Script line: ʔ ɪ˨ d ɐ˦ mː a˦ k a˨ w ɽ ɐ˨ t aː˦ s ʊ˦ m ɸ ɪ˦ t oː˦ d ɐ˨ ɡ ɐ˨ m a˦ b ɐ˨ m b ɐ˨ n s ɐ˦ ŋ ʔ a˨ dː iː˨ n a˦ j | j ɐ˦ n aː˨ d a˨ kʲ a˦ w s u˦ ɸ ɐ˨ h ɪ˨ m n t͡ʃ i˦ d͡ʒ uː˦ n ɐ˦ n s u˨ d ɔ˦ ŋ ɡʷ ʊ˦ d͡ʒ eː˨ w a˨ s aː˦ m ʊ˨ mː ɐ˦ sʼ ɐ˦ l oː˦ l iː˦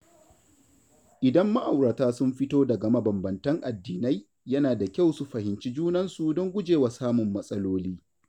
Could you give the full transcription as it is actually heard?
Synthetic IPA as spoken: ʔ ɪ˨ d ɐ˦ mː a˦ ʔ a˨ w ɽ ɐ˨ t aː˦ s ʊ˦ m ɸ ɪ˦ t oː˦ d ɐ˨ ɡ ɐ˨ m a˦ b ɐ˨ m b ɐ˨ n t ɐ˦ ŋ ʔ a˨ dː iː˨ n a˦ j | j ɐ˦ n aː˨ d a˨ kʲ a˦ w s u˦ ɸ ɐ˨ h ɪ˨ n t͡ʃ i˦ d͡ʒ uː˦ n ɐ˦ n s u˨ d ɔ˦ ŋ ɡʷ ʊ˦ d͡ʒ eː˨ w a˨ s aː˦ m ʊ˨ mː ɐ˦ sʼ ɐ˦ l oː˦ l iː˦

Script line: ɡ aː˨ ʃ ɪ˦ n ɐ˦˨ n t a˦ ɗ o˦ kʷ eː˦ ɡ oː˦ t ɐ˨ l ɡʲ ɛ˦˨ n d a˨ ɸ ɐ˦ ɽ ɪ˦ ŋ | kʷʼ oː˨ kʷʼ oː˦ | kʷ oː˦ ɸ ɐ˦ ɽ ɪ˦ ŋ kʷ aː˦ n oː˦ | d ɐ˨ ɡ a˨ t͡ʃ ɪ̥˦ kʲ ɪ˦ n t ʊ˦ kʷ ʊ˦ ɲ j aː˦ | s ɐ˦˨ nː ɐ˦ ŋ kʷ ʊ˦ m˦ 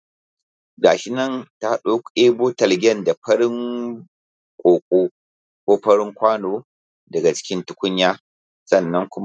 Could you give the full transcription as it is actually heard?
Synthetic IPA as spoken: ɡ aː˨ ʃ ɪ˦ n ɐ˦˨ n t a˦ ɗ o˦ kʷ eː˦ b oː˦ t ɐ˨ l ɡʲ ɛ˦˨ n d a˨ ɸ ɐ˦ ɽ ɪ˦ ŋ | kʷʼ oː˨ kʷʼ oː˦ | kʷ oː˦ ɸ ɐ˦ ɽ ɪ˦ ŋ kʷ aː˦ n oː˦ | d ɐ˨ ɡ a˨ t͡ʃ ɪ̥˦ kʲ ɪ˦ n t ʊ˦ kʷ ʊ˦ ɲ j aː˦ | s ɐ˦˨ nː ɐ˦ ŋ kʷ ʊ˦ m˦

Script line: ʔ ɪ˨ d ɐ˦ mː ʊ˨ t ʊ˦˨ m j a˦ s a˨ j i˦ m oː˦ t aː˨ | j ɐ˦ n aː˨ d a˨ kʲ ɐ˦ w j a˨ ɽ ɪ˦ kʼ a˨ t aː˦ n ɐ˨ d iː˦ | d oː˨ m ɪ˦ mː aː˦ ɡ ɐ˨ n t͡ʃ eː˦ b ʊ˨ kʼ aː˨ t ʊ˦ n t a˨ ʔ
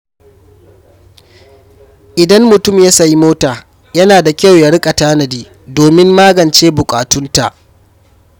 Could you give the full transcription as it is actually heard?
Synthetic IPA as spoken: ʔ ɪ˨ d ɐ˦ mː ʊ˨ t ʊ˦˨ m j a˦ s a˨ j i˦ m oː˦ t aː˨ | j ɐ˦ n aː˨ d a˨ kʲ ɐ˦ w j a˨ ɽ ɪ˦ kʼ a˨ t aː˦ n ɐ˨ d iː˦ | d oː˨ m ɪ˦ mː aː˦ ɡ ɐ˨ n t͡ʃ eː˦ b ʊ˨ kʼ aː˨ t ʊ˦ n t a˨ ʔ

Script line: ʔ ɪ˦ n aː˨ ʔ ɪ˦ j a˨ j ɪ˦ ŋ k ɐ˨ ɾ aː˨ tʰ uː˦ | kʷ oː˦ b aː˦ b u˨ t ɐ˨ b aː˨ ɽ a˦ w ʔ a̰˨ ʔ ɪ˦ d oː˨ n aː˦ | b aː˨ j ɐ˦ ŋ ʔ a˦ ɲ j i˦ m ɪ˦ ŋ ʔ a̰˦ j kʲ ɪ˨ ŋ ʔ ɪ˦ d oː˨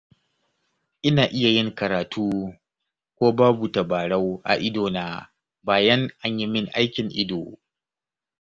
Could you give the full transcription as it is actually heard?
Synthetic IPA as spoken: ʔ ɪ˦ n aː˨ ʔ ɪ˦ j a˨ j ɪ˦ ŋ k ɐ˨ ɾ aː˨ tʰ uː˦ | kʷ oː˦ b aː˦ b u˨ t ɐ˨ b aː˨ ɽ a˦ w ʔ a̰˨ ʔ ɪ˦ d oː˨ n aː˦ | b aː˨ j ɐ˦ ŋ ʔ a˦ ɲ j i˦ m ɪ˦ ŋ ʔ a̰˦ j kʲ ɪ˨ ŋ ʔ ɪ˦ d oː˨

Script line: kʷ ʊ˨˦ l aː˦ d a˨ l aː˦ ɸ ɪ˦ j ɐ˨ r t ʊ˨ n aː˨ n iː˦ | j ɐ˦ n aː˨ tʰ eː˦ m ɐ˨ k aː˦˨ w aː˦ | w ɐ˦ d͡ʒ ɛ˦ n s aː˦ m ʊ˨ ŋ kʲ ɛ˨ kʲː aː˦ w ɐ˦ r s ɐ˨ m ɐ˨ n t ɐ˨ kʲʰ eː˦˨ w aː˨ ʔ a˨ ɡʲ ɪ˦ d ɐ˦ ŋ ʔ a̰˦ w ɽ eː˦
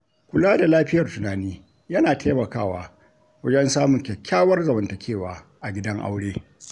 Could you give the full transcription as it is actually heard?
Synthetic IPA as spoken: kʷ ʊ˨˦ l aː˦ d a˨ l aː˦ ɸ ɪ˦ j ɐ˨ r t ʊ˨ n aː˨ n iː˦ | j ɐ˦ n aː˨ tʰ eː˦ m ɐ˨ k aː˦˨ w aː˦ | w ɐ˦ d͡ʒ ɛ˦ n s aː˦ m ʊ˨ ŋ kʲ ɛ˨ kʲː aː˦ w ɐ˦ r z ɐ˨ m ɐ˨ n t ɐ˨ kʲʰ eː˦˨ w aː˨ ʔ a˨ ɡʲ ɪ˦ d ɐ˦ ŋ ʔ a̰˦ w ɽ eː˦

